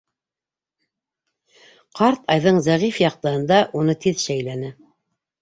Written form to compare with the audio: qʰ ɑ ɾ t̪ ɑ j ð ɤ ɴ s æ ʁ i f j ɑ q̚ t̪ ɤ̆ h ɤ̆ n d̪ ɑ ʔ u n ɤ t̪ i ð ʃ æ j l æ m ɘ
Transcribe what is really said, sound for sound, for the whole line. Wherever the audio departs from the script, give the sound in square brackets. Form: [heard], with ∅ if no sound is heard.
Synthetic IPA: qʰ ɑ ɾ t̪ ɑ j ð ɤ ɴ [z] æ ʁ i f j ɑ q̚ t̪ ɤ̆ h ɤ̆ n d̪ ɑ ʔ u n ɤ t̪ i ð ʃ æ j l æ [n] ɘ